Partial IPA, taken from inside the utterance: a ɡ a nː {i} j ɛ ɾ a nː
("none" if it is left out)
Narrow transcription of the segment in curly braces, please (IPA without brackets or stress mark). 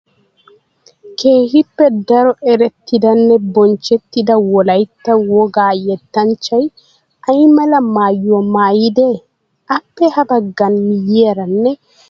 i